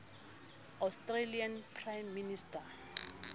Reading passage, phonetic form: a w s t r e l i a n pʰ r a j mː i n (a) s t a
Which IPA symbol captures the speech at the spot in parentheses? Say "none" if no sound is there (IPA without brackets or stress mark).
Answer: i